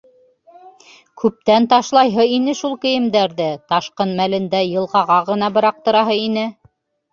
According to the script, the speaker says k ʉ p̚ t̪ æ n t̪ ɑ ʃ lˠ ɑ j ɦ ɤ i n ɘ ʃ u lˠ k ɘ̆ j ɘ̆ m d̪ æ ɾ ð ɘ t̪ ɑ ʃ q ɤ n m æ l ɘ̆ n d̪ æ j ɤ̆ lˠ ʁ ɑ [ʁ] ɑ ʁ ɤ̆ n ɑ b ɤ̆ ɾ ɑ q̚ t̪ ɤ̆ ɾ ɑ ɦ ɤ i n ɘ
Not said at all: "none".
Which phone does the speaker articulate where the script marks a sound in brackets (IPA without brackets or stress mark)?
ʁ